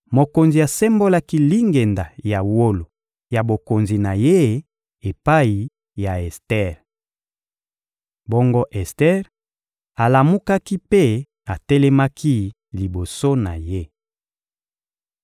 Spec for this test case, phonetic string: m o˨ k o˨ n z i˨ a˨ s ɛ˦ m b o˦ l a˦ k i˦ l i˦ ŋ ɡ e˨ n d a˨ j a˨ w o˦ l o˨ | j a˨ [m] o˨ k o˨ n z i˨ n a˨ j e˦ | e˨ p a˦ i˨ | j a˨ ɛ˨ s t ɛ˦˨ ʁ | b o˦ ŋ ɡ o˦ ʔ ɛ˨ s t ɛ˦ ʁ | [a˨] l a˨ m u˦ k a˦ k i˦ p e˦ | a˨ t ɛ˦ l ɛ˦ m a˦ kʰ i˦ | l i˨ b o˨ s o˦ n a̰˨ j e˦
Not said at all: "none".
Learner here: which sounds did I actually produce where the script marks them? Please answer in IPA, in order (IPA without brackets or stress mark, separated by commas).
b, a˨